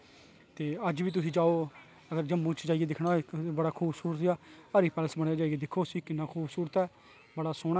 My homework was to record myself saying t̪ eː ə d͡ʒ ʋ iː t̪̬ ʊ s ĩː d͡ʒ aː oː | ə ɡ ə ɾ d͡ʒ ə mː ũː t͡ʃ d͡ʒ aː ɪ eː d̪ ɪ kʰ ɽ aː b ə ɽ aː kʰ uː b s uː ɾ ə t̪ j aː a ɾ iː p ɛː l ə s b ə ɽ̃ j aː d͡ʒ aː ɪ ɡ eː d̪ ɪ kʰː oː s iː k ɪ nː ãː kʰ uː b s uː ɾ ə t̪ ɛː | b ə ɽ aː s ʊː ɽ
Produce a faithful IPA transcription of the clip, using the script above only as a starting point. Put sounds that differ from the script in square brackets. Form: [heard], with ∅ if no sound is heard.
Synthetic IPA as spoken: t̪ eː ə d͡ʒ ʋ iː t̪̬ ʊ s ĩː d͡ʒ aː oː | ə ɡ ə ɾ d͡ʒ ə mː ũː t͡ʃ d͡ʒ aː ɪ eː d̪ ɪ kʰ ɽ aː b ə ɽ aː kʰ uː b s uː ɾ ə t̪ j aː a ɾ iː p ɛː l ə s b ə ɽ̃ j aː d͡ʒ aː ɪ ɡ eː d̪ ɪ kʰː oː s iː k ɪ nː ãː kʰ uː b s uː ɾ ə t̪ ɛː | b ə ɽ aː s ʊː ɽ